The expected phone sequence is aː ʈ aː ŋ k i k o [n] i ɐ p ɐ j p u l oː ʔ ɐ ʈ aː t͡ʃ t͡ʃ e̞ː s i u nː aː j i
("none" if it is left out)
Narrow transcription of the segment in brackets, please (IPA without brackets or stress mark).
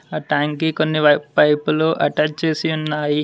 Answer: nː